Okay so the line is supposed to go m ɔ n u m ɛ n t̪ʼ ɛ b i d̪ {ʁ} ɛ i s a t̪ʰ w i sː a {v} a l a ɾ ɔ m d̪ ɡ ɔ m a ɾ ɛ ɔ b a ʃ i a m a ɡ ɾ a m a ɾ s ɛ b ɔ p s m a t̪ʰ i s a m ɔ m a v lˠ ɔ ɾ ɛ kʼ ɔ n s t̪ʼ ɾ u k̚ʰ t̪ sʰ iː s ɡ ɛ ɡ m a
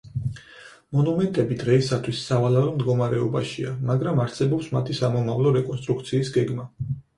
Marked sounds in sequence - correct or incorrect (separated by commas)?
correct, correct